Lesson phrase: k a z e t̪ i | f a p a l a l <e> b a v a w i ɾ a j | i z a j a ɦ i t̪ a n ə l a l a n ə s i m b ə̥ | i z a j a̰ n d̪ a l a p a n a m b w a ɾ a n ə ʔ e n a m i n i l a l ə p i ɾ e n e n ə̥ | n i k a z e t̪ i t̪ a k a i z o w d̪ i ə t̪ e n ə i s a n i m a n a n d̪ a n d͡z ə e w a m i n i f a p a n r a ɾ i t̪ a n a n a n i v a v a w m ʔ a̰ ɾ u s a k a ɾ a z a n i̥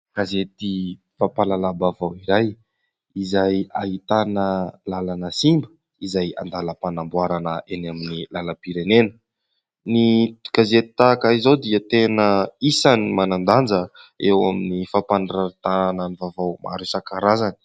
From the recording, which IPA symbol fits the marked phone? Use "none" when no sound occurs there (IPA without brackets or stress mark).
a